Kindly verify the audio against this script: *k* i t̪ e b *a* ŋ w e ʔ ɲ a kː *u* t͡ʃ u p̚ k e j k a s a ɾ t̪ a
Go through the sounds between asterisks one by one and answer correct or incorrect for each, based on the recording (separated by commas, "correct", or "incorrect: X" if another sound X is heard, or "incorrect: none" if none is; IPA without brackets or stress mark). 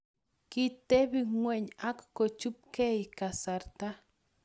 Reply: correct, incorrect: i, incorrect: o